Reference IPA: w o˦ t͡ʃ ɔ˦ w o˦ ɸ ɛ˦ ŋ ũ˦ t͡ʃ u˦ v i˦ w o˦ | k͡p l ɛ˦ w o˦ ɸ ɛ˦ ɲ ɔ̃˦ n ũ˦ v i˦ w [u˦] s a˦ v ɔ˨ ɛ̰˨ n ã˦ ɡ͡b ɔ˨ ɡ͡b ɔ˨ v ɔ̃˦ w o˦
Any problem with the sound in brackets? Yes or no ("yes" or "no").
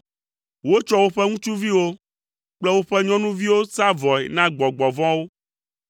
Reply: yes